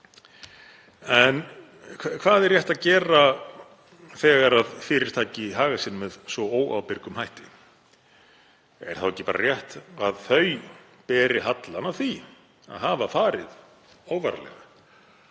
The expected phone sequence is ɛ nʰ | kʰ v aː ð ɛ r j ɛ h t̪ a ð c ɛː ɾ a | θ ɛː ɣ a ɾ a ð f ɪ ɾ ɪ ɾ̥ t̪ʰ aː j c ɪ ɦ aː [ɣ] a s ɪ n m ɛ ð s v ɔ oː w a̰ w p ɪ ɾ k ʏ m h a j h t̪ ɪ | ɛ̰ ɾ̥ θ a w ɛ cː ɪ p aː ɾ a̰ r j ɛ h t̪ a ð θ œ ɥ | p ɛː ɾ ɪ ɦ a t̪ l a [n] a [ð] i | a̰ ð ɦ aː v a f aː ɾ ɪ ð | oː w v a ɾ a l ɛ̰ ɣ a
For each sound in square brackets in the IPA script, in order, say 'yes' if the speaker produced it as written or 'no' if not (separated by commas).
yes, yes, no